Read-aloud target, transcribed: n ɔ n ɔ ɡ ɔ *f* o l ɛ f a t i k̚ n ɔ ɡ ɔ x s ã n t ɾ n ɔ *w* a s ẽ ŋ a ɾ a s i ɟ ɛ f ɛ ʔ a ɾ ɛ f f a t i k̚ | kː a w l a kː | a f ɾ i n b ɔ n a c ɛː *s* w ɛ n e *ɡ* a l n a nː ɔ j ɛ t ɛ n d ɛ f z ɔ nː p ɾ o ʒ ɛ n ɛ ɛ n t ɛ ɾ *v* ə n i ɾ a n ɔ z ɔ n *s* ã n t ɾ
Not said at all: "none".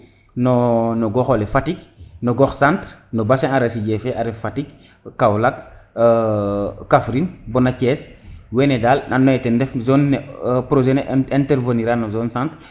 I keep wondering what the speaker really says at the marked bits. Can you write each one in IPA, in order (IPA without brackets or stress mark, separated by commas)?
x, b, s, d, v, s